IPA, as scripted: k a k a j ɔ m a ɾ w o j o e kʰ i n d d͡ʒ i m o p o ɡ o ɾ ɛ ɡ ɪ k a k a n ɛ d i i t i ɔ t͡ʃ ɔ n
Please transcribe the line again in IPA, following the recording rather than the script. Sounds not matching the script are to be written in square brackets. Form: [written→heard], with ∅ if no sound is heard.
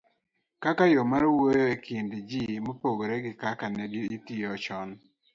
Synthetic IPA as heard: k a k a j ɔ m a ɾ w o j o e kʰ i n d d͡ʒ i m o p o ɡ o ɾ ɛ ɡ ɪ k a k a n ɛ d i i t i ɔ t͡ʃ ɔ n